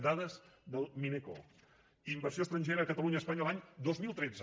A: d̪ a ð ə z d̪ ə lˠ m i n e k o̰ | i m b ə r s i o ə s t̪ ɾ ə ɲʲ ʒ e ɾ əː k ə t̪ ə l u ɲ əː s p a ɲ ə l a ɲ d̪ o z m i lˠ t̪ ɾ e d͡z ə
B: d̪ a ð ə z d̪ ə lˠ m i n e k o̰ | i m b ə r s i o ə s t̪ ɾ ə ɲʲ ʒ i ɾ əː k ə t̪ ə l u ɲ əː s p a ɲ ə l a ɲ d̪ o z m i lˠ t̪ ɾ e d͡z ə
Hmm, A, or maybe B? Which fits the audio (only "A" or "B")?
A